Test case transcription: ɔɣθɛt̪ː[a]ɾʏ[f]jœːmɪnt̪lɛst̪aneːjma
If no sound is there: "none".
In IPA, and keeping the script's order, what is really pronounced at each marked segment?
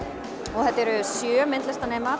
ɛ, s

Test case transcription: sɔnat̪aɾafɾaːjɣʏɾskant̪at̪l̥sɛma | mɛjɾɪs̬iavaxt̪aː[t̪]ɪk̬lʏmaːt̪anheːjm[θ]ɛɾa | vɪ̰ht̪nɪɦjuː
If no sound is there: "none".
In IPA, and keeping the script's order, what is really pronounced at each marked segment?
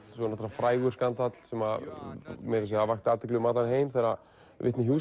t̪, θ

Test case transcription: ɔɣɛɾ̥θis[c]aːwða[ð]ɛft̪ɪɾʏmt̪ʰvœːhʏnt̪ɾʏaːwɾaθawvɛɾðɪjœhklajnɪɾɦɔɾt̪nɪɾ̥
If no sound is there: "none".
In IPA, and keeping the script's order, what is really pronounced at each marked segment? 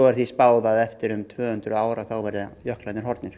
p, ð

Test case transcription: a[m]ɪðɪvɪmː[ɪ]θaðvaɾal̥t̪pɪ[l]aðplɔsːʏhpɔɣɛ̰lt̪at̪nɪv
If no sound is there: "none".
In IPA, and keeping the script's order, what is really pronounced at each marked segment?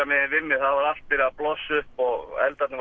m, ɪ, ɾ

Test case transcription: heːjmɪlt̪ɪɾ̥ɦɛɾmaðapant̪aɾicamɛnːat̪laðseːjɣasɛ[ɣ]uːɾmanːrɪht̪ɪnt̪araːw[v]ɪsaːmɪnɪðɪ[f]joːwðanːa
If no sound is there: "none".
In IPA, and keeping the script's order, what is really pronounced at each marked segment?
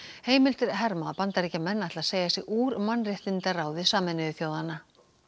ɣ, ð, θ

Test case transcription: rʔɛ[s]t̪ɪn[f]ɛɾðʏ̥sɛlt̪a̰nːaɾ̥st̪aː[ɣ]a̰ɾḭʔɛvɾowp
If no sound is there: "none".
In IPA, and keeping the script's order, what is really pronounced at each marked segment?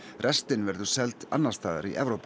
s, v, ð

